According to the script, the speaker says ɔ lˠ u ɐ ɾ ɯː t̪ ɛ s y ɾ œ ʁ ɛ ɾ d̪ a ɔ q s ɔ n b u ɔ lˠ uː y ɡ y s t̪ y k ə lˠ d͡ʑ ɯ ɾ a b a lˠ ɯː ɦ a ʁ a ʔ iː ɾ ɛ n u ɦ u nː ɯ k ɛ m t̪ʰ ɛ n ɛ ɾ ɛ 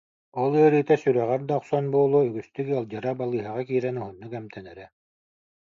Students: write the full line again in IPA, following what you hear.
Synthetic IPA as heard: ɔ lˠ ɯ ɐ ɾ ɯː t̪ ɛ s y ɾ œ ʁ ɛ ɾ d̪ a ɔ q s ɔ n b u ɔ lˠ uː y ɡ y s t̪ y k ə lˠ d͡ʑ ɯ ɾ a b a lˠ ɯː ɦ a ʁ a k iː ɾ ɛ n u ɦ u nː u k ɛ m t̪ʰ ɛ n ɛ ɾ ɛ